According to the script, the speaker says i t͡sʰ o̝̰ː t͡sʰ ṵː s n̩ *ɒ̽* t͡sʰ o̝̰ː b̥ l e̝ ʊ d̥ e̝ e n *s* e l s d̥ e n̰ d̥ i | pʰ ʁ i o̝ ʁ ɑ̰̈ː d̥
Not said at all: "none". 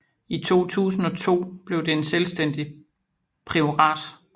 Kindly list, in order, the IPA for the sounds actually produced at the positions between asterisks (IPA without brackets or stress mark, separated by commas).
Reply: ɒ̽, s